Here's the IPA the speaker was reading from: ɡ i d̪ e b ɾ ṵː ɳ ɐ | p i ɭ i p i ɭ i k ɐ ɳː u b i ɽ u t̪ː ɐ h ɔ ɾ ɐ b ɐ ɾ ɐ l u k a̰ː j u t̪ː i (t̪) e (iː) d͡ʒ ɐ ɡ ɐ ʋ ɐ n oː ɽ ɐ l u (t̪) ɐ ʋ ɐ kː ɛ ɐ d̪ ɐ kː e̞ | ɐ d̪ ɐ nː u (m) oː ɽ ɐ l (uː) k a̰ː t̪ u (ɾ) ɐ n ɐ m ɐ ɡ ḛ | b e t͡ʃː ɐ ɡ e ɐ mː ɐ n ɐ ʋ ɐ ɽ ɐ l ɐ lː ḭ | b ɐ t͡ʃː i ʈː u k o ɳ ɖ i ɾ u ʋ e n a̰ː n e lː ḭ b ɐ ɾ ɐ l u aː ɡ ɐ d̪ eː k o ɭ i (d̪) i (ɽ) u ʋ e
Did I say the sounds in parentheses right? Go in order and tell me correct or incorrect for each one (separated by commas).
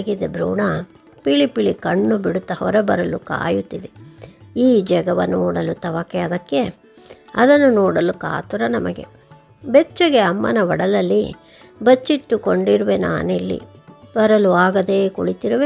incorrect, correct, correct, incorrect, incorrect, correct, incorrect, incorrect